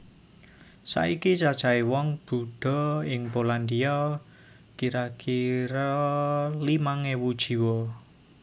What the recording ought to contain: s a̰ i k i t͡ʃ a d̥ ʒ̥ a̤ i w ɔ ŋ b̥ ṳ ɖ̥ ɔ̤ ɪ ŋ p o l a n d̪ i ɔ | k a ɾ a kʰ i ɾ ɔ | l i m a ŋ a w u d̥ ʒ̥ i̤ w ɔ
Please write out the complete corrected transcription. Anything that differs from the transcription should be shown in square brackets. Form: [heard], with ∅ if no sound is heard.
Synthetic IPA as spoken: s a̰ i k i t͡ʃ a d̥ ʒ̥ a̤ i w ɔ ŋ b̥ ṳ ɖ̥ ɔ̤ ɪ ŋ p o l a n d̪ i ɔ | k [i] ɾ a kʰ i ɾ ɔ | l i m a ŋ [e] w u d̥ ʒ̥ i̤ w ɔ